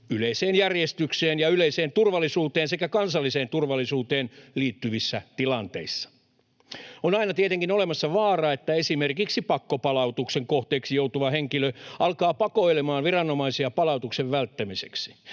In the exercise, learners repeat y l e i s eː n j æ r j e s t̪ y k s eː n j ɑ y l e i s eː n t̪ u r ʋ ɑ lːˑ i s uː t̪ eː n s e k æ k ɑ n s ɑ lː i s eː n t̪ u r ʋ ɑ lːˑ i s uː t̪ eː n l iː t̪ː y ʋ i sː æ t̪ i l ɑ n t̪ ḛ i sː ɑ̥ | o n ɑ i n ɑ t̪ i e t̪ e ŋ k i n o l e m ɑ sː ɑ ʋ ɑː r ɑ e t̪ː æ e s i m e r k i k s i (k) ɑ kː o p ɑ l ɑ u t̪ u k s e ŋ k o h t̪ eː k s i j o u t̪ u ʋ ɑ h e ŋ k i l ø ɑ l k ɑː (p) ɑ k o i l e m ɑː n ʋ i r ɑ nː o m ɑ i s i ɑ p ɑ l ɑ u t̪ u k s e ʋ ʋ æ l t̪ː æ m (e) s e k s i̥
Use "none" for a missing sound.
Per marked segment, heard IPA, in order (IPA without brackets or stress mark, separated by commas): p, p, i